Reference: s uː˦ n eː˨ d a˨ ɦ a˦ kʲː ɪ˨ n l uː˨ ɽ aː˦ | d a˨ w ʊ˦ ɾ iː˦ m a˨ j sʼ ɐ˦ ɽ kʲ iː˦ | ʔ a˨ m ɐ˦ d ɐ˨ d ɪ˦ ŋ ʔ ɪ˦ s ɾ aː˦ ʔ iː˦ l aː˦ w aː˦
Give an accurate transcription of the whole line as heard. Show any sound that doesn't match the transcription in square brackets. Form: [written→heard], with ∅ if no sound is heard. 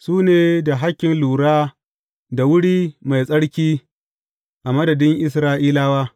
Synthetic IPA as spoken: s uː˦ n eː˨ d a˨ ɦ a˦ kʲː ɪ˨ n l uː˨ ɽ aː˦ | d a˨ w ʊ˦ [ɾ→ɽ] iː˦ m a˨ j sʼ ɐ˦ ɽ kʲ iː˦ | ʔ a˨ m ɐ˦ d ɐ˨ d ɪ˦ ŋ ʔ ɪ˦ s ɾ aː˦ ʔ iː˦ l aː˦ w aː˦